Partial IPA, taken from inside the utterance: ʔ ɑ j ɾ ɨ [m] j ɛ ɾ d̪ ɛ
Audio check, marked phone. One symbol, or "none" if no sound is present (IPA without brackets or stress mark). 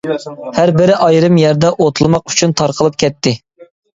m